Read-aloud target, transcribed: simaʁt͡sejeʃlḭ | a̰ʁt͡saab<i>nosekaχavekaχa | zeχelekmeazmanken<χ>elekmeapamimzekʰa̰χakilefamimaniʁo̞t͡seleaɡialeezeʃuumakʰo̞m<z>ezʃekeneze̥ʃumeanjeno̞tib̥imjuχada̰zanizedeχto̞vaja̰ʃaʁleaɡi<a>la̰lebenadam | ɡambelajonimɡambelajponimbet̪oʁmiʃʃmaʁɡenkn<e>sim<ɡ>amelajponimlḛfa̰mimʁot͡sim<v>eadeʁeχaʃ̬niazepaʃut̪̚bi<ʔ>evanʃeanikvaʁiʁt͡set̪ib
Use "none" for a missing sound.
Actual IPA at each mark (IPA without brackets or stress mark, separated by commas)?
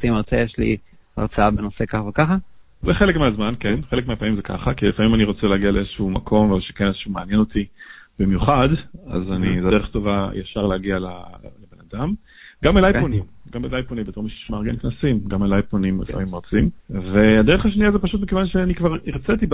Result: e, χ, v, a, a, ɡ, v, k